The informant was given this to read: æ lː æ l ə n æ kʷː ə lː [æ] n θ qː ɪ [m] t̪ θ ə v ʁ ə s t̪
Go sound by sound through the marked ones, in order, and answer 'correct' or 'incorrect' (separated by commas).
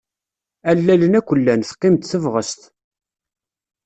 correct, correct